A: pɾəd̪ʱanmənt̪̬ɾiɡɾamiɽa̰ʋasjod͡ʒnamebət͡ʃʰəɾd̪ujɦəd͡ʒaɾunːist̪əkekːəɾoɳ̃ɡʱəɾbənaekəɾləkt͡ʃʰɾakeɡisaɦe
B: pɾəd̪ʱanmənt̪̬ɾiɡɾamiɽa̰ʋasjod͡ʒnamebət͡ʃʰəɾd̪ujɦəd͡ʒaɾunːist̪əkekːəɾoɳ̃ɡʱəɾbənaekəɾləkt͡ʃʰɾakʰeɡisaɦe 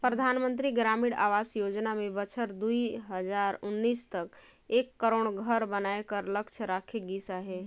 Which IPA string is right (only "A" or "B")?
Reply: B